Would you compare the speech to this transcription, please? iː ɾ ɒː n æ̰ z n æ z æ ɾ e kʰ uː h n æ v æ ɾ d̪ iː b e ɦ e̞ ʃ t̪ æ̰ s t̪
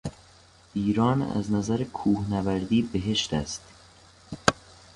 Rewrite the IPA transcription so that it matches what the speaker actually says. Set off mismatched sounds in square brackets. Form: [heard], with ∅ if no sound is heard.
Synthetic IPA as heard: iː ɾ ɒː n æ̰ z n æ z æ ɾ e kʰ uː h n æ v æ ɾ d̪ iː b e ɦ e̞ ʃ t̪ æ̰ s t̪